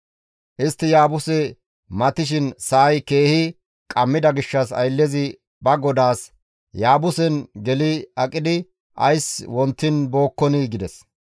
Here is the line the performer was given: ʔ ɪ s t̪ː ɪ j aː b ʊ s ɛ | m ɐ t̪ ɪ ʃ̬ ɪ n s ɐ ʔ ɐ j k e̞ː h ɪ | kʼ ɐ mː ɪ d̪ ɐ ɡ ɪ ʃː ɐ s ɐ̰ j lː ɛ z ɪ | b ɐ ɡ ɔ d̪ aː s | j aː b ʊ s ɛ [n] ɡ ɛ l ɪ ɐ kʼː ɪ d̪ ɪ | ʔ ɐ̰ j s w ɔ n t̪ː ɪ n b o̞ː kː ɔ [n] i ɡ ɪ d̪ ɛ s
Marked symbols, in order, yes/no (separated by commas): yes, yes